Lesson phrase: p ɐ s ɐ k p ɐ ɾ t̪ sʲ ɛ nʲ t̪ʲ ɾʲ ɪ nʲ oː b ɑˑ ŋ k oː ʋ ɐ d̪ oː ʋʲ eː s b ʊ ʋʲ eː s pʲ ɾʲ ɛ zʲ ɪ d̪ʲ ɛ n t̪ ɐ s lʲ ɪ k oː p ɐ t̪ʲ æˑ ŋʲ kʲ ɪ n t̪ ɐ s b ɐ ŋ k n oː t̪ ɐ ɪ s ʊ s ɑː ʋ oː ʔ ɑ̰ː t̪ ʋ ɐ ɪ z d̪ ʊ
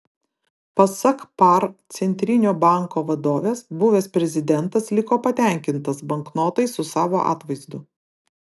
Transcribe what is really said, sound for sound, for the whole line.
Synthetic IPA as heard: p ɐ s ɐ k p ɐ ɾ t̪ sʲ ɛ nʲ t̪ʲ ɾʲ ɪ nʲ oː b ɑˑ ŋ k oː ʋ ɐ d̪ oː ʋʲ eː s b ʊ ʋʲ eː s pʲ ɾʲ ɛ zʲ ɪ d̪ʲ ɛ n t̪ ɐ s lʲ ɪ k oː p ɐ t̪ʲ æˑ ŋʲ kʲ ɪ n t̪ ɐ s b ɐ ŋ k n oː t̪ ɐ ɪ s ʊ s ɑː ʋ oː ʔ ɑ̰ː t̪ ʋ ɐ ɪ z d̪ ʊ

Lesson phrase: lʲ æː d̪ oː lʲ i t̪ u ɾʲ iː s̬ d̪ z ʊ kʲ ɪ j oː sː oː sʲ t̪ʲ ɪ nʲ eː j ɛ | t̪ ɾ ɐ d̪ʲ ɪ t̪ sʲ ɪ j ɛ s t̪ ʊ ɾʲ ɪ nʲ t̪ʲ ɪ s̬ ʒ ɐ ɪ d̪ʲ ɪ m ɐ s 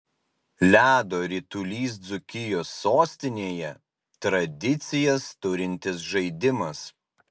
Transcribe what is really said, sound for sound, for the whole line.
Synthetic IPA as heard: lʲ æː d̪ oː ɾʲ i t̪ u lʲ iː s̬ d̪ z ʊ kʲ ɪ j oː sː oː sʲ t̪ʲ ɪ nʲ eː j ɛ | t̪ ɾ ɐ d̪ʲ ɪ t̪ sʲ ɪ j ɛ s t̪ ʊ ɾʲ ɪ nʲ t̪ʲ ɪ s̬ ʒ ɐ ɪ d̪ʲ ɪ m ɐ s

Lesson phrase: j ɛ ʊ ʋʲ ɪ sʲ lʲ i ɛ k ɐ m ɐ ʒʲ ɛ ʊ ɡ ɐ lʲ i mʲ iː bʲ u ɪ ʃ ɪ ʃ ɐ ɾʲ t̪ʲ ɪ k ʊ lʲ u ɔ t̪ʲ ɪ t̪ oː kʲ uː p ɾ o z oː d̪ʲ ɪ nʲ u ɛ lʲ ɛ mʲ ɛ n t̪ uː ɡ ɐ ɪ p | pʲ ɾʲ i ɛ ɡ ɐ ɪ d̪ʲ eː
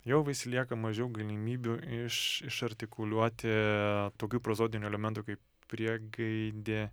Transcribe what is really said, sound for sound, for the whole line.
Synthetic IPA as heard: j ɛ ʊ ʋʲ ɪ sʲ lʲ i ɛ k ɐ m ɐ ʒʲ ɛ ʊ ɡ ɐ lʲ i mʲ iː bʲ u ɪ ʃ ɪ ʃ ɐ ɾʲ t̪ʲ ɪ k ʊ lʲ u ɔ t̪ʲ ɪ t̪ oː kʲ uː p ɾ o z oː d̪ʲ ɪ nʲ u ɛ lʲ ɛ mʲ ɛ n t̪ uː k ɐ ɪ p | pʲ ɾʲ i ɛ ɡ ɐ ɪ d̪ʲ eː

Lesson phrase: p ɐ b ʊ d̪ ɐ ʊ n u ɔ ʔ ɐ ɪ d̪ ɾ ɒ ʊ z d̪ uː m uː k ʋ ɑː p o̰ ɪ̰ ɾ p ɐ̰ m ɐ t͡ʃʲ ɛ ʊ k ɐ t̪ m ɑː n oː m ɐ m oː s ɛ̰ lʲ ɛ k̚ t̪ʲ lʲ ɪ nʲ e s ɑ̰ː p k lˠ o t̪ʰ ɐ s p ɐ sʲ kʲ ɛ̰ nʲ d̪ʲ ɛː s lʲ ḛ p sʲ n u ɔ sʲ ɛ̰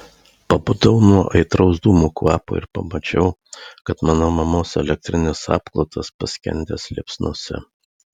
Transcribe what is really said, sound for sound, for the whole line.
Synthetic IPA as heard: p ɐ b ʊ d̪ ɐ ʊ n u ɔ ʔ ɐ ɪ t̪ ɾ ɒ ʊ z d̪ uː m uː k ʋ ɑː p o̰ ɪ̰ ɾ p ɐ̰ m ɐ t͡ʃʲ ɛ ʊ k ɐ t̪ m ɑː n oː m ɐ m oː s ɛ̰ lʲ ɛ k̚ t̪ʲ ɾʲ ɪ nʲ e s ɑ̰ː p k lˠ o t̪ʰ ɐ s p ɐ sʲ kʲ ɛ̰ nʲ d̪ʲ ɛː s lʲ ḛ p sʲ n u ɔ sʲ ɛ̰

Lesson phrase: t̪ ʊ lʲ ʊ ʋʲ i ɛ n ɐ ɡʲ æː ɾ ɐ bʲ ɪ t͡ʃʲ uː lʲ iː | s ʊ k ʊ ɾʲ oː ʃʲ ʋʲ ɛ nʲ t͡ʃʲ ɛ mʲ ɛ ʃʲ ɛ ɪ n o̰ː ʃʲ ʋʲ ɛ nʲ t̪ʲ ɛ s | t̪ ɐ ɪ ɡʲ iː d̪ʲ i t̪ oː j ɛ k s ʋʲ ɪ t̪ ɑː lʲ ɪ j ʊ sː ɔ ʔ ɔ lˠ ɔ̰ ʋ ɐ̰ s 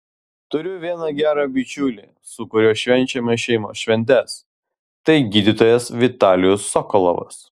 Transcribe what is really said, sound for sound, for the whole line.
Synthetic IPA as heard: t̪ ʊ ɾʲ ʊ ʋʲ i ɛ n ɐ ɡʲ æː ɾ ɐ bʲ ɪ t͡ʃʲ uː lʲ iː | s ʊ k ʊ ɾʲ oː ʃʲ ʋʲ ɛ nʲ t͡ʃʲ ɛ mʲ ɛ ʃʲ ɛ ɪ m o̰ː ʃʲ ʋʲ ɛ nʲ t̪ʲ ɛ s | t̪ ɐ ɪ ɡʲ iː d̪ʲ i t̪ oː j ɛ s ʋʲ ɪ t̪ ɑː lʲ ɪ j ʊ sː ɔ k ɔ lˠ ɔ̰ ʋ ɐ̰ s

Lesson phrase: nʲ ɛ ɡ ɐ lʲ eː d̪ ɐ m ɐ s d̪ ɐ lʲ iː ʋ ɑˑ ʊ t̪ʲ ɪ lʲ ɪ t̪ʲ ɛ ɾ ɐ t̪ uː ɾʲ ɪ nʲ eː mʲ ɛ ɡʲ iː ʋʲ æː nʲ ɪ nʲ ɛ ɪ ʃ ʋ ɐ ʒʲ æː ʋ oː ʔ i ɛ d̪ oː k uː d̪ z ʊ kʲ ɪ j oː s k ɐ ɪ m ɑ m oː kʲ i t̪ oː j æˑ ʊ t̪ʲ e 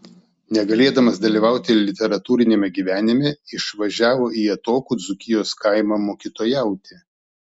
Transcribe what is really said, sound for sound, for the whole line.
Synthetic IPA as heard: nʲ ɛ ɡ ɐ lʲ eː d̪ ɐ m ɐ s d̪ ɐ lʲ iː ʋ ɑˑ ʊ t̪ʲ ɪ lʲ ɪ t̪ʲ ɛ ɾ ɐ t̪ uː ɾʲ ɪ nʲ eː mʲ ɛ ɡʲ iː ʋʲ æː nʲ ɪ mʲ ɛ ɪ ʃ ʋ ɐ ʒʲ æː ʋ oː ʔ i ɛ t̪ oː k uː d̪ z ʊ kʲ ɪ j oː s k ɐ ɪ m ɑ m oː kʲ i t̪ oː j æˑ ʊ t̪ʲ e

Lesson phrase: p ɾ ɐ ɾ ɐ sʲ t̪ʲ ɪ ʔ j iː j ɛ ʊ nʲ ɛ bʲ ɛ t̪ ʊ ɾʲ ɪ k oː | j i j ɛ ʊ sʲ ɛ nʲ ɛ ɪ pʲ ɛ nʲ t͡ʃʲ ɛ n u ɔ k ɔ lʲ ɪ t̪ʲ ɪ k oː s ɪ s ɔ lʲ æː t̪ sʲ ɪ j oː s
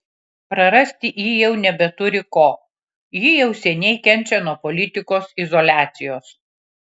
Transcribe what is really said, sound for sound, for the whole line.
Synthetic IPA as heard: p ɾ ɐ ɾ ɐ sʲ t̪ʲ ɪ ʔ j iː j ɛ ʊ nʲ ɛ bʲ ɛ t̪ ʊ ɾʲ ɪ k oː | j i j ɛ ʊ sʲ ɛ nʲ ɛ ɪ kʲ ɛ nʲ t͡ʃʲ ɛ n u ɔ p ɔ lʲ ɪ t̪ʲ ɪ k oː s ɪ z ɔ lʲ æː t̪ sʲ ɪ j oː s

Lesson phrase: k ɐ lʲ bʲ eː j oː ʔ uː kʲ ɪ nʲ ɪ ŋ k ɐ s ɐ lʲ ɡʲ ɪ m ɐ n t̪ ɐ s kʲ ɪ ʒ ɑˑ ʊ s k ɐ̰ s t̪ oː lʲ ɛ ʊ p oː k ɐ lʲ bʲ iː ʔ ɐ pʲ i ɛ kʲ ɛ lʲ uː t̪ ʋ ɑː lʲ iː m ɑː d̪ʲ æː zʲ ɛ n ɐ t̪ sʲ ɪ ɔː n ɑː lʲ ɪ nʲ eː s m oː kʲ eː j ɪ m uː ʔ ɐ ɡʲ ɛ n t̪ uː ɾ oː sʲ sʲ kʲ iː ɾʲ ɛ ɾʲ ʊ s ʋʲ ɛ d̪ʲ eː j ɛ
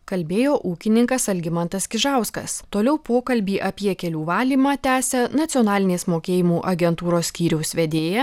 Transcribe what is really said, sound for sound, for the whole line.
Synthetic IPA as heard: k ɐ lʲ bʲ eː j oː ʔ uː kʲ ɪ nʲ ɪ ŋ k ɐ s ɐ lʲ ɡʲ ɪ m ɐ n t̪ ɐ s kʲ ɪ ʒ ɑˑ ʊ s k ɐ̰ s t̪ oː lʲ ɛ ʊ p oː k ɐ lʲ bʲ iː ʔ ɐ pʲ i ɛ kʲ ɛ lʲ uː ʋ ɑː lʲ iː m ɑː t̪ʲ æː sʲ ɛ n ɐ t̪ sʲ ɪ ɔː n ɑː lʲ ɪ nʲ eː s m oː kʲ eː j ɪ m uː ʔ ɐ ɡʲ ɛ n t̪ uː ɾ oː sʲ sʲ kʲ iː ɾʲ ɛ ʊ s ʋʲ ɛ d̪ʲ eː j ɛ

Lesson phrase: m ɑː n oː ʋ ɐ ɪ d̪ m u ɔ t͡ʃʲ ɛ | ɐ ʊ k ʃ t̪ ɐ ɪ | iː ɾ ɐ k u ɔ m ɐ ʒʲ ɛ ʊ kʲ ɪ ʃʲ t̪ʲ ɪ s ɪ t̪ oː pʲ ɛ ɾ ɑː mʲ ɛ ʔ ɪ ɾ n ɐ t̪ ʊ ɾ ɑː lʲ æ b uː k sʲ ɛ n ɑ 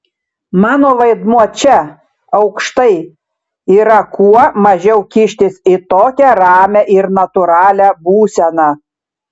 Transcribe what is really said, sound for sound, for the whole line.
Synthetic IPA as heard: m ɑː n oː ʋ ɐ ɪ d̪ m u ɔ t͡ʃʲ ɛ | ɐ ʊ k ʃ t̪ ɐ ɪ | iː ɾ ɐ k u ɔ m ɐ ʒʲ ɛ ʊ kʲ ɪ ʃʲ t̪ʲ ɪ s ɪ t̪ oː kʲ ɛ ɾ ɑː mʲ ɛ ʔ ɪ ɾ n ɐ t̪ ʊ ɾ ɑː lʲ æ b uː sʲ ɛ n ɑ

